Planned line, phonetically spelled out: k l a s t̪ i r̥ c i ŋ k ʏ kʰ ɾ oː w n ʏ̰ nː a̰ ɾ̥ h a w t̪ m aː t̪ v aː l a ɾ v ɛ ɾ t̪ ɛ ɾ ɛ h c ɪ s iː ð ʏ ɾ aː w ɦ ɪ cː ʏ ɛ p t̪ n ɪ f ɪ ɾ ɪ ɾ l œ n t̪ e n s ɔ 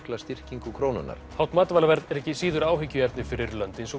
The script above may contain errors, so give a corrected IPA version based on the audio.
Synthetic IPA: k l a s t̪ i r̥ c i ŋ k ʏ kʰ ɾ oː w n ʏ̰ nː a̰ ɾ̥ h a w t̪ m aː t̪ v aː l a v ɛ ɾ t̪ ɛ ɾ ɛ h c ɪ s iː ð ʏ ɾ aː w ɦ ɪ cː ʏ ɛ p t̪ n ɪ f ɪ ɾ ɪ ɾ l œ n t̪ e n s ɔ

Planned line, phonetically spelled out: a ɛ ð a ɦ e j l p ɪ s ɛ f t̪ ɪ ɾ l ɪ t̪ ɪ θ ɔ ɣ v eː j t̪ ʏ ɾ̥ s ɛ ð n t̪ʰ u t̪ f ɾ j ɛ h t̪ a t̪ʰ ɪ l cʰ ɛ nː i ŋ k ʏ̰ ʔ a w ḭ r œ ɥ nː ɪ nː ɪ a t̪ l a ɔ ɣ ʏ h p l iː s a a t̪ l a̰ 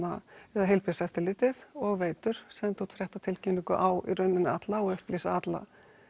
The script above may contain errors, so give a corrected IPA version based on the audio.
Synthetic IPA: a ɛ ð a ɦ e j l p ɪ s ɛ f t̪ ɪ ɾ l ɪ t̪ ɪ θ ɔ ɣ v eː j t̪ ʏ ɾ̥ s ɛ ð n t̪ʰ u t̪ f ɾ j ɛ h t̪ a t̪ʰ ɪ l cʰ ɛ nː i ŋ k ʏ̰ ʔ a w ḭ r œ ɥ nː ɪ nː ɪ a t̪ l a ɔ ɣ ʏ h p l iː s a a t̪ l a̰

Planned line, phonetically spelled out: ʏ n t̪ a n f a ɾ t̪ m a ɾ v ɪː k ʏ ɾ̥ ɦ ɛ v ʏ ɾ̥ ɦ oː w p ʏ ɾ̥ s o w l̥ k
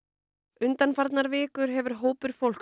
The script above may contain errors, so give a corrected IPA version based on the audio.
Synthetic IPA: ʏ n t̪ a n f a ɾ t̪ n a ɾ v ɪː k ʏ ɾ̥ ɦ ɛ v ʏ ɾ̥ ɦ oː w p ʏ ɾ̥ f o w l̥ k

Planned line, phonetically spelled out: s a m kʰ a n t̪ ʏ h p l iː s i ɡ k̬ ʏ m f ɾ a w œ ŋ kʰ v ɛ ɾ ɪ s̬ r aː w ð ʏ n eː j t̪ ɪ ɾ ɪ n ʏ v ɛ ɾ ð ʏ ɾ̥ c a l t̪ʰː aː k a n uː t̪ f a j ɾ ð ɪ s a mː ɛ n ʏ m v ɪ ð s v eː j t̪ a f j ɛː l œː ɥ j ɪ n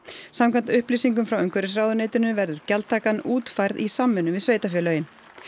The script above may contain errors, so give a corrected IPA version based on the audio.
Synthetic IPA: s a m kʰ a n t̪ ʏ h p l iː s i ŋ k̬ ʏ m f ɾ a w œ ŋ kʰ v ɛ ɾ ɪ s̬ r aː w ð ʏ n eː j t̪ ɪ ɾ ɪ n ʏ v ɛ ɾ ð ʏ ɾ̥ c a l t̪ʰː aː k a n uː t̪ f a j ɾ ð i s a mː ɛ n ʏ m v ɪ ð s v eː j t̪ a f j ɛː l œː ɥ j ɪ n

